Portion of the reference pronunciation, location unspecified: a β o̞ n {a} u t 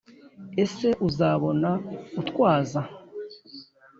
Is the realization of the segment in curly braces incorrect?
no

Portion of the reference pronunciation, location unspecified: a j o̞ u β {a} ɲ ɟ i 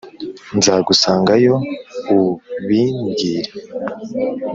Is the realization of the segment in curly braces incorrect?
yes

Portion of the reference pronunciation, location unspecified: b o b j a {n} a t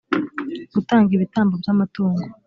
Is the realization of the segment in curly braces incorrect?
yes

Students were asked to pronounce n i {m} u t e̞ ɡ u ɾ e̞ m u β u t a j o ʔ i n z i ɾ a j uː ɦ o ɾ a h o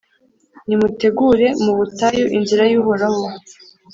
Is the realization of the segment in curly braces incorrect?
no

